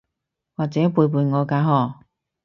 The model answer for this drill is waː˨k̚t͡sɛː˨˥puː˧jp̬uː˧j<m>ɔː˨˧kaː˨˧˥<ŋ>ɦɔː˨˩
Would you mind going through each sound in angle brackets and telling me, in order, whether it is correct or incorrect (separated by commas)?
incorrect, incorrect